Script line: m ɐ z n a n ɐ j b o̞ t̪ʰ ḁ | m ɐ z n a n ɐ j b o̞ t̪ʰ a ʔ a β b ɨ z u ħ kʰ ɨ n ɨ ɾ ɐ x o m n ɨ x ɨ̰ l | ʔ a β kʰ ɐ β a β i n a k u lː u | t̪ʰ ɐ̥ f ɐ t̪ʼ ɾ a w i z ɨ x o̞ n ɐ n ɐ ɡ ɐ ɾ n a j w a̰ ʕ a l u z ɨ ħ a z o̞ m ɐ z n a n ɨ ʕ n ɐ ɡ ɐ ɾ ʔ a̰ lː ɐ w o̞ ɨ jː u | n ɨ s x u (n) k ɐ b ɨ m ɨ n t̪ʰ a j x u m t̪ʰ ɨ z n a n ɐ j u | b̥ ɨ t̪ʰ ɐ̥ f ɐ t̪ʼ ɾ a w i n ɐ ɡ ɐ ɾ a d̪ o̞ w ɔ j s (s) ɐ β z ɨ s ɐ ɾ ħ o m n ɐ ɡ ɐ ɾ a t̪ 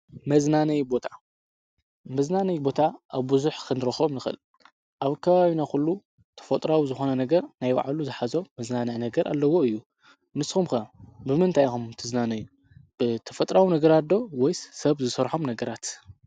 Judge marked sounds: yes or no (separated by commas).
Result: no, yes